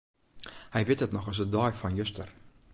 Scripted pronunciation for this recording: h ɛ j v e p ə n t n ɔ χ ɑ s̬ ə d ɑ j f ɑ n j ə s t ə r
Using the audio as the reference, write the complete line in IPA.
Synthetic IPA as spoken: h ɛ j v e t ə t n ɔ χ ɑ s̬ ə d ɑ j f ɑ n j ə s t ə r